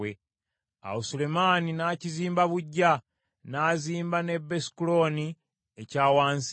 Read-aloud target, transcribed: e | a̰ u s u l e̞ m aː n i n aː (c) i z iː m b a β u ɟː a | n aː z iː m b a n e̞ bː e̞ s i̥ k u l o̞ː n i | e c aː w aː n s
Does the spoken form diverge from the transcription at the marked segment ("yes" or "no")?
no